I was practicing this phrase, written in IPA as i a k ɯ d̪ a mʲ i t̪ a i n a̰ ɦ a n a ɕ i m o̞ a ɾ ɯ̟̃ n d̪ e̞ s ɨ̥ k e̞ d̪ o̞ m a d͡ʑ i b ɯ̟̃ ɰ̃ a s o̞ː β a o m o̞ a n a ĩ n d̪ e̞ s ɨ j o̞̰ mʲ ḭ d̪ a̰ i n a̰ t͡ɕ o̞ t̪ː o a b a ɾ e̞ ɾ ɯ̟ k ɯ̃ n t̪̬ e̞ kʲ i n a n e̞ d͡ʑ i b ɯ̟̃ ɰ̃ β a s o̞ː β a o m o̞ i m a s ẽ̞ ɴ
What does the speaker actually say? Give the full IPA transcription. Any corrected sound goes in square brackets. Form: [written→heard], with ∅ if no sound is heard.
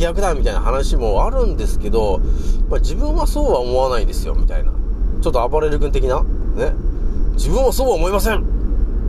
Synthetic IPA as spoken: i a k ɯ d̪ a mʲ i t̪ a i n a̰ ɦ a n a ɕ i m o̞ a ɾ ɯ̟̃ n d̪ e̞ s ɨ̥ k e̞ d̪ o̞ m a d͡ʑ i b ɯ̟̃ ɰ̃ a s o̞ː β a o m o̞ a n a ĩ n d̪ e̞ s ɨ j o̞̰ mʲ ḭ [d̪→t̪] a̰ i n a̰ t͡ɕ o̞ t̪ː o a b a ɾ e̞ ɾ ɯ̟ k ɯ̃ n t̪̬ e̞ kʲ i n a n e̞ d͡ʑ i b ɯ̟̃ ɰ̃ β a s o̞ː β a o m o̞ i m a s ẽ̞ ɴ